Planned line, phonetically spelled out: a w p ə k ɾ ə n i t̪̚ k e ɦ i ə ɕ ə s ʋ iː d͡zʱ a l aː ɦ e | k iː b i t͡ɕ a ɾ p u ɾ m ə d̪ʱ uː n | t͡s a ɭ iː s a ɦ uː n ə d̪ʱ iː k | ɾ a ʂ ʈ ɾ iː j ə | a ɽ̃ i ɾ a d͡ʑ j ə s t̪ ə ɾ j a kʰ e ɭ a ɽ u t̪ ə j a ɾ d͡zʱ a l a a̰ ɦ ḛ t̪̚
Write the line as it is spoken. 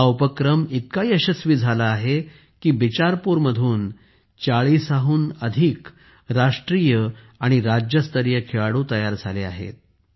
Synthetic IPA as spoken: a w p ə k ɾ ə m i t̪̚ k a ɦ i ə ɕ ə s ʋ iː d͡zʱ a l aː ɦ e | k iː b i t͡ɕ a ɾ p u ɾ m ə d̪ʱ uː n | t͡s a ɭ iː s a ɦ uː n ə d̪ʱ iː k | ɾ a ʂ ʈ ɾ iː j ə | a ɽ̃ i ɾ a d͡ʑ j ə s t̪ ə ɾ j ə kʰ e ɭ a ɽ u t̪ ə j a ɾ d͡zʱ a l e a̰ ɦ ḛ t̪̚